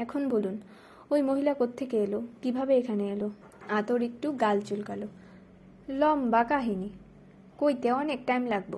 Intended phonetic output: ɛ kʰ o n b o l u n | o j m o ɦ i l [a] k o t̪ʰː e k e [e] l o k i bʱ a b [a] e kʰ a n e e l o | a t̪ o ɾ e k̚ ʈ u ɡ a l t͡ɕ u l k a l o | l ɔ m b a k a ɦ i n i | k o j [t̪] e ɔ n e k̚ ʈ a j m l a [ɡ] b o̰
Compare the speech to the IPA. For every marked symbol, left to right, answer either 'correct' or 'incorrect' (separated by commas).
correct, correct, incorrect, correct, correct